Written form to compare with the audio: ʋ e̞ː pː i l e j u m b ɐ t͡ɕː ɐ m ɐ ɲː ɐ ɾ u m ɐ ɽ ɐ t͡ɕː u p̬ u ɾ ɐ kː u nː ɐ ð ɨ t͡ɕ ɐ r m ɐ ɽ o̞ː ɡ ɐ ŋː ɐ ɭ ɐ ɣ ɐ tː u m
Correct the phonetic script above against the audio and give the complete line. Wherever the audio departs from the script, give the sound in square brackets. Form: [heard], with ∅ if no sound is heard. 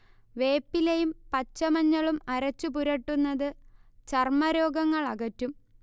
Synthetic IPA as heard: ʋ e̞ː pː i l e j u m [p] ɐ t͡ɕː ɐ m ɐ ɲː ɐ [ɭ] u m ɐ [ɾ] ɐ t͡ɕː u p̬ u ɾ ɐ [ʈː] u nː ɐ ð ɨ t͡ɕ ɐ r m ɐ [ɾ] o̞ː ɡ ɐ ŋː ɐ ɭ ɐ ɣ ɐ tː u m